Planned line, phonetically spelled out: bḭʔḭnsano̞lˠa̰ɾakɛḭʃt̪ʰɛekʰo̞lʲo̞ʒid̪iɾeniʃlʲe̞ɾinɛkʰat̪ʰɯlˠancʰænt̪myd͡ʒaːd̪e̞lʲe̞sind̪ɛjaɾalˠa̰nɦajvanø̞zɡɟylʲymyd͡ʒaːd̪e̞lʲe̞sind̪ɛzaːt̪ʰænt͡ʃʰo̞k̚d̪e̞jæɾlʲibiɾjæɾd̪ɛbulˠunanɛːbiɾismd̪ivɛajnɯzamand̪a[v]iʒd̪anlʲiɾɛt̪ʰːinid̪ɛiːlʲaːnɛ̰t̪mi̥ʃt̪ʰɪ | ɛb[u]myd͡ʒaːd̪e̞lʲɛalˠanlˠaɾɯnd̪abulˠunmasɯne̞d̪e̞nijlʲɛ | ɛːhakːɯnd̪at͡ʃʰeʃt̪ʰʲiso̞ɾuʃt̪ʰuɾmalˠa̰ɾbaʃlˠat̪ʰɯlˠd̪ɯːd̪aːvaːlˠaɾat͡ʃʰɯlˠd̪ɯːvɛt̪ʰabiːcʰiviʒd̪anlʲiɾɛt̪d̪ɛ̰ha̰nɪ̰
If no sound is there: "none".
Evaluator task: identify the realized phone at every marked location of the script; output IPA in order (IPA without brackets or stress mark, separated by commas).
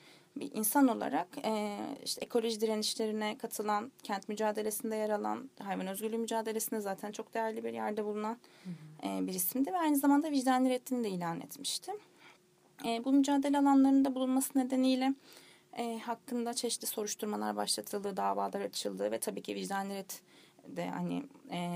v, u